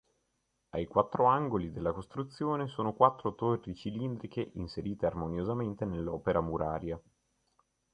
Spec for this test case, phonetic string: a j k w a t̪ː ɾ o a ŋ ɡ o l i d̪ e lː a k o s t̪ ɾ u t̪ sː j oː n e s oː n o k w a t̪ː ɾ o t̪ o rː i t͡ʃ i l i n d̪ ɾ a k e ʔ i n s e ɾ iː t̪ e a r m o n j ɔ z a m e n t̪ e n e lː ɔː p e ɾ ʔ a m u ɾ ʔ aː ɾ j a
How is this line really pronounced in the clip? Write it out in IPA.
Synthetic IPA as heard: a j k w a t̪ː ɾ o a ŋ ɡ o l i d̪ e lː a k o s t̪ ɾ u t̪ sː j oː n e s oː n o k w a t̪ː ɾ o t̪ o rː i t͡ʃ i l i n d̪ ɾ i k e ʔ i n s e ɾ iː t̪ e a r m o n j o z a m e n t̪ e n e lː ɔː p e ɾ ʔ a m u ɾ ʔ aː ɾ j a